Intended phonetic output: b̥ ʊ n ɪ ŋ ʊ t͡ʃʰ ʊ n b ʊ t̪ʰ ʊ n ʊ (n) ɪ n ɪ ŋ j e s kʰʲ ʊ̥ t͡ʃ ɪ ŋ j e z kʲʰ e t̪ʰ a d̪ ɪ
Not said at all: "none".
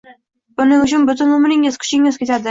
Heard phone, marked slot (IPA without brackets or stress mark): m